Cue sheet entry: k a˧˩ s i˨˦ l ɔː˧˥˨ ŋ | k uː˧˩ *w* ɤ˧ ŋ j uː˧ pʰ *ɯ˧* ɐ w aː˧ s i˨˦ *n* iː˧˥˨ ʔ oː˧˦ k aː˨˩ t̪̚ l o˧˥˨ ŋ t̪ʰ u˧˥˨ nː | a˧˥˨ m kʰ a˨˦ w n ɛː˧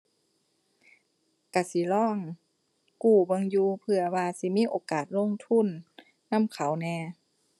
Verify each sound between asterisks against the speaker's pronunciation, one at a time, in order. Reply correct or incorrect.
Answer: incorrect, correct, incorrect

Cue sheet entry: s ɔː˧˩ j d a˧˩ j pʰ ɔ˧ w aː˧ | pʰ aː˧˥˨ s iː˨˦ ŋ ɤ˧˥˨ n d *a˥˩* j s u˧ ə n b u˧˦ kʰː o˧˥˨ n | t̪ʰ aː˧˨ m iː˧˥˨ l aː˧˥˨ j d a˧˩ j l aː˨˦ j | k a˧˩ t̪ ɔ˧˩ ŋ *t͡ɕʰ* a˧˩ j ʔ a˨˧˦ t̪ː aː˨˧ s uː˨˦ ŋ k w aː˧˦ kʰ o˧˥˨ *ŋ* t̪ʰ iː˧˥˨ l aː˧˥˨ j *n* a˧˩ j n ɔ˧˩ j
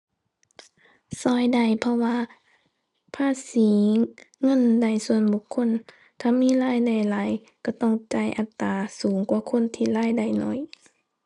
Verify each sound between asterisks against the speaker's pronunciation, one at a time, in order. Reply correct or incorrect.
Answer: incorrect, incorrect, incorrect, incorrect

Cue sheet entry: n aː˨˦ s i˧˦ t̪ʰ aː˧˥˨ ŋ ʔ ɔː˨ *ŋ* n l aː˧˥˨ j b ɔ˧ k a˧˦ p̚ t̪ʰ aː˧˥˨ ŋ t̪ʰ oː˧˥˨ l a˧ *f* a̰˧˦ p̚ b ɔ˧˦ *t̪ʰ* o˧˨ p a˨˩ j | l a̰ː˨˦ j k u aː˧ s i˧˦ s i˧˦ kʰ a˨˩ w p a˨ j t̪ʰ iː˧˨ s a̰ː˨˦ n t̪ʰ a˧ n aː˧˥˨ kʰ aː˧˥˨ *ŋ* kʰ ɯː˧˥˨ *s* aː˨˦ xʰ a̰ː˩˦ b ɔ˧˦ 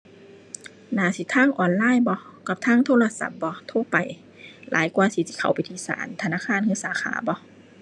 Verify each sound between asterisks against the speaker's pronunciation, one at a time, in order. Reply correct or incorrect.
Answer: incorrect, incorrect, correct, incorrect, correct

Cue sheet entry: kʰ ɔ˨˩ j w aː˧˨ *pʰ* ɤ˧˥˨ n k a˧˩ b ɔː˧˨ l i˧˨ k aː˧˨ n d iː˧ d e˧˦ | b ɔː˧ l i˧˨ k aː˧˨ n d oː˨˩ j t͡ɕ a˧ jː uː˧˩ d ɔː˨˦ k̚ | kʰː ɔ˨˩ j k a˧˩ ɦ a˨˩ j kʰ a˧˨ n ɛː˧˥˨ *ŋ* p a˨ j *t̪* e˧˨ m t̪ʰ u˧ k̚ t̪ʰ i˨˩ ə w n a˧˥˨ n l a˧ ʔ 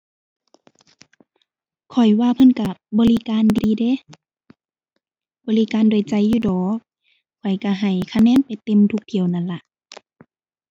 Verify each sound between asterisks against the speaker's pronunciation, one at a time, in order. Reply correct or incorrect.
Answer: correct, incorrect, correct

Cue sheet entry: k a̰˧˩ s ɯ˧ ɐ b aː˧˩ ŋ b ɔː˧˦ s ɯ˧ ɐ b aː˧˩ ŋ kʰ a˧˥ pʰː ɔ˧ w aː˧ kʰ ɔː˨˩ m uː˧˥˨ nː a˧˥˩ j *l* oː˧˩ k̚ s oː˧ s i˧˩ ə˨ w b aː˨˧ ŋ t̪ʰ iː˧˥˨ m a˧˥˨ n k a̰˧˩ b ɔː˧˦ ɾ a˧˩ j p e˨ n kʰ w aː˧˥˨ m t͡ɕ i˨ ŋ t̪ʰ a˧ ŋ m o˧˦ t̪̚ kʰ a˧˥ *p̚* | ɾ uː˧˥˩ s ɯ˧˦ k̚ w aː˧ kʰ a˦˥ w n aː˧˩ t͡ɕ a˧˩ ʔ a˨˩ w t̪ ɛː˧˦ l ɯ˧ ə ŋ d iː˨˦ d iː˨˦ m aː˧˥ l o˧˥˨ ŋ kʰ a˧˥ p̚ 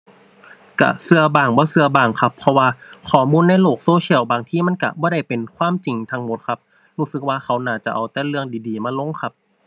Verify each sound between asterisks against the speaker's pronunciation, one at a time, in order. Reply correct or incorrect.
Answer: correct, correct

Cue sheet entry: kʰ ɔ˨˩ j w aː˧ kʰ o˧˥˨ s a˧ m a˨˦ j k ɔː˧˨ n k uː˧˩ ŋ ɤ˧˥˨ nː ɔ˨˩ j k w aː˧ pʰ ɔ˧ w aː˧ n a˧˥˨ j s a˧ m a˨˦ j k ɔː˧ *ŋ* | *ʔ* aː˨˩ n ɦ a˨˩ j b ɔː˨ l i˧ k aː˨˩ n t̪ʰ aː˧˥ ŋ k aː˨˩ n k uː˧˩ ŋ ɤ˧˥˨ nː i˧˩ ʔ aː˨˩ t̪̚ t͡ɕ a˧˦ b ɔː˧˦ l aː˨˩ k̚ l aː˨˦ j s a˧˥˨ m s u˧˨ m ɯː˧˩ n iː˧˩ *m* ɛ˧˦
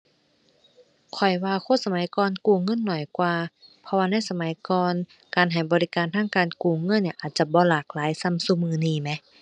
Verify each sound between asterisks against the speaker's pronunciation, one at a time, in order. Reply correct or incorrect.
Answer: incorrect, incorrect, correct

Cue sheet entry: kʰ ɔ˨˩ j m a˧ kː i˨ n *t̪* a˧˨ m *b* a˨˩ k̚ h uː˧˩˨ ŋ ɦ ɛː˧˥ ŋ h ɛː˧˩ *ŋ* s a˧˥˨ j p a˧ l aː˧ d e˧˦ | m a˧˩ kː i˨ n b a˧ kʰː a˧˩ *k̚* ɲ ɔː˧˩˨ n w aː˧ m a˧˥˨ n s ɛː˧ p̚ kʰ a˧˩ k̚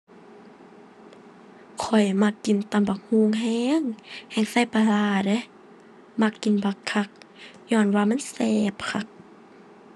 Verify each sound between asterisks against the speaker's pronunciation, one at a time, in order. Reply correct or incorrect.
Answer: correct, correct, correct, correct

